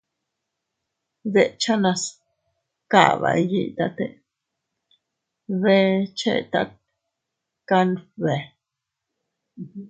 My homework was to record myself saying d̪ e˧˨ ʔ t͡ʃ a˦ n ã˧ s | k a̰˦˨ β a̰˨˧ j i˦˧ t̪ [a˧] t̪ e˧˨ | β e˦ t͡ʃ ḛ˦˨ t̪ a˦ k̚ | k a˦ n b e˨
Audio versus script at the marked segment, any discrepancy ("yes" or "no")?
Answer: no